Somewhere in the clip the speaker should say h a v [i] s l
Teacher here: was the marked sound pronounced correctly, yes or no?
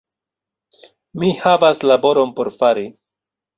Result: no